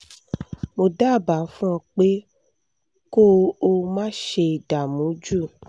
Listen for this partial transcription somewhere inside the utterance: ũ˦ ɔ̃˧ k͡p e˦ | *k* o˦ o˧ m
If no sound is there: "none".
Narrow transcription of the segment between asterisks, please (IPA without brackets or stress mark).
k